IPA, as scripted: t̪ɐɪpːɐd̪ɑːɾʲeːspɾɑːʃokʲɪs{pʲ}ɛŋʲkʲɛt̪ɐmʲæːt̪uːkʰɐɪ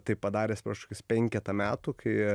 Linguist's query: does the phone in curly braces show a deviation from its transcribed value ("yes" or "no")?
no